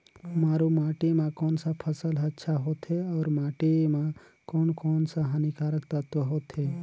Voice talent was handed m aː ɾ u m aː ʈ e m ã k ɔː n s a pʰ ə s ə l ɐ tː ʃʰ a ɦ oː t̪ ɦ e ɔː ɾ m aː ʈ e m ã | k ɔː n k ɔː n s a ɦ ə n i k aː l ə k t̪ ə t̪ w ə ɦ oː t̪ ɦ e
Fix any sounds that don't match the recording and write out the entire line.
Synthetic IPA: m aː ɾ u m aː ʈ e m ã k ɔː n s a pʰ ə s ə l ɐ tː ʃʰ a ɦ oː t̪ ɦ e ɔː ɾ m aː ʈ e m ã | k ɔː n k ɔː n s a ɦ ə n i k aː ɾ ə k t̪ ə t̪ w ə ɦ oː t̪ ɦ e